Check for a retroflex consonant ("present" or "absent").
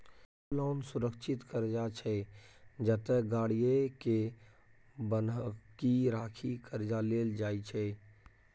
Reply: present